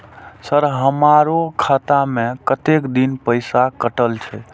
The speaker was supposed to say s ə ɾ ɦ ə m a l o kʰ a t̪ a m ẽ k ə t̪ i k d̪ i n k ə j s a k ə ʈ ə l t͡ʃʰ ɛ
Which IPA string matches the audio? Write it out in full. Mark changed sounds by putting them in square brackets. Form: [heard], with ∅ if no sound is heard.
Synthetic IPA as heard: s ə ɾ ɦ ə m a [ɾ] o kʰ a t̪ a m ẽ k ə t̪ [e] k d̪ i n [p] ə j s a k ə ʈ ə l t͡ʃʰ ɛ